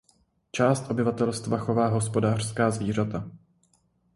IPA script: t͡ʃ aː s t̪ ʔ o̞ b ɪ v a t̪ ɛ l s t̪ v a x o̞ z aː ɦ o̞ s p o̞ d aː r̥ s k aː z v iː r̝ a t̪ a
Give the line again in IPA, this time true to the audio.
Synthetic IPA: t͡ʃ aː s t̪ ʔ o̞ b ɪ v a t̪ ɛ l s t̪ v a x o̞ v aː ɦ o̞ s p o̞ d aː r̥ s k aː z v iː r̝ a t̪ a